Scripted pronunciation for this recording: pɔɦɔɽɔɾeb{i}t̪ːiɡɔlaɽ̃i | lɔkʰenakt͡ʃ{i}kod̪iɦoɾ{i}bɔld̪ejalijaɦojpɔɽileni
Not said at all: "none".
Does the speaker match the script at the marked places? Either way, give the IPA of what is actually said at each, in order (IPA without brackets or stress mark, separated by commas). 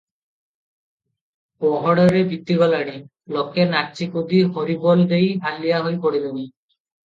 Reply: i, i, i